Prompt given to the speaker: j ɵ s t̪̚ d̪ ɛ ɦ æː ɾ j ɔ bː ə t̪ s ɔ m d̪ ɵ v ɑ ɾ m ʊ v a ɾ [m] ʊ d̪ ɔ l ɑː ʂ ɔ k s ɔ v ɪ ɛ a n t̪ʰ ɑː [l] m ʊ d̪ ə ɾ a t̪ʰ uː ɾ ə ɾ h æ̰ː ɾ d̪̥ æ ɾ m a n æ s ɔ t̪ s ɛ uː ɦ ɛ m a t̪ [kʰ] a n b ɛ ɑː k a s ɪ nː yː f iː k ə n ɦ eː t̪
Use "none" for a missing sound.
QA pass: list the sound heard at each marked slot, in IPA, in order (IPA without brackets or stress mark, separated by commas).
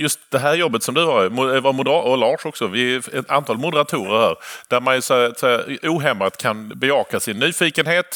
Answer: m, l, kʰ